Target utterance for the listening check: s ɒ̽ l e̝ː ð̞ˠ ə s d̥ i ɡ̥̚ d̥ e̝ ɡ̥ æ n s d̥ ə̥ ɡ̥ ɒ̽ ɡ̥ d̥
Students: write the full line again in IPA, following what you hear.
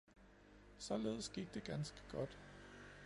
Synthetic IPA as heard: s ɒ̽ l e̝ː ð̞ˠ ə s ɡ̥ i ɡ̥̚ d̥ e̝ ɡ̥ æ n s ɡ̥ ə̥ ɡ̥ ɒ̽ d̥